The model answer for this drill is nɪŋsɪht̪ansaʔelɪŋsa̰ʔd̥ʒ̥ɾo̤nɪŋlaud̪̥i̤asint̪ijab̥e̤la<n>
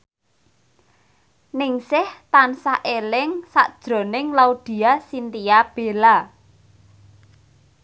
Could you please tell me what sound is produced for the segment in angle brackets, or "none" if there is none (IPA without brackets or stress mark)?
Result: none